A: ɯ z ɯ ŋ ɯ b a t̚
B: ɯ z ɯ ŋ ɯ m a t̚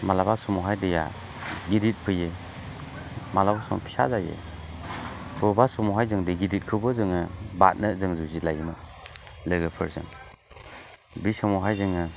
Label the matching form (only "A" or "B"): A